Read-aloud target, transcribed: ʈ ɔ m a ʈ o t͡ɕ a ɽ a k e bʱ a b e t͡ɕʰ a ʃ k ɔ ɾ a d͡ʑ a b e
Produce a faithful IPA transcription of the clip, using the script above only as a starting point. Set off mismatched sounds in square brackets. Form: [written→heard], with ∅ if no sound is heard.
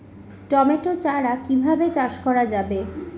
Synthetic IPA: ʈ ɔ m [a→e] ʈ o t͡ɕ a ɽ a k [e→i] bʱ a b e [t͡ɕʰ→t͡ɕ] a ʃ k ɔ ɾ a d͡ʑ a b e